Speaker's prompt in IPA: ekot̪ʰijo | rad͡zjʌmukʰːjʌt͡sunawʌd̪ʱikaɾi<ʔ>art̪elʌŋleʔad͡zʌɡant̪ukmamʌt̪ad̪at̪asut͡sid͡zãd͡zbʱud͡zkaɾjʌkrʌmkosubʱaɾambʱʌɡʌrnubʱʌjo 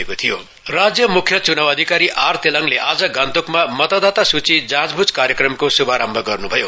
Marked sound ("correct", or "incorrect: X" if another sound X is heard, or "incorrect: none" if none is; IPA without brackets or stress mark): correct